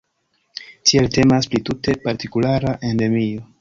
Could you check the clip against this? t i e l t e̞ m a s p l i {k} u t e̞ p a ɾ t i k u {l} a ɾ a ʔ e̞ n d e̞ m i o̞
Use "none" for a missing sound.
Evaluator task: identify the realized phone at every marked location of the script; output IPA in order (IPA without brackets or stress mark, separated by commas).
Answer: t, l